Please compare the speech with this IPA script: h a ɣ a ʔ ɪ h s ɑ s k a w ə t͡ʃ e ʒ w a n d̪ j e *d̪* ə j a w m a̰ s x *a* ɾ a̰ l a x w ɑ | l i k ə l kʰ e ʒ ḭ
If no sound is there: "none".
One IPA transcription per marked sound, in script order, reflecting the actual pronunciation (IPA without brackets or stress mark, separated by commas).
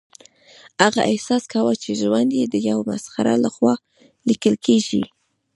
d̪, a